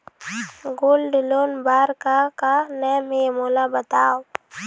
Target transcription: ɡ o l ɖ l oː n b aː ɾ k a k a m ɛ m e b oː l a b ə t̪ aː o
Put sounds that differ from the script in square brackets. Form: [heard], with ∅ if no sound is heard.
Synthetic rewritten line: ɡ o l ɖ l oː n b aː ɾ k a k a [n] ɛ m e [m] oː l a b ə t̪ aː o